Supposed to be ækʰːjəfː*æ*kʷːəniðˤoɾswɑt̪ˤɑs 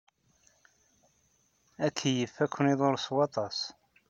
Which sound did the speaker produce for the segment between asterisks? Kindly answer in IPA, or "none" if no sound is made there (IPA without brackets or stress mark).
æ